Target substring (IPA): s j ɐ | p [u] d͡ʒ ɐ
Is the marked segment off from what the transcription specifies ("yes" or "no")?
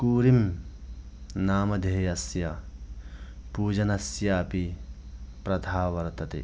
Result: yes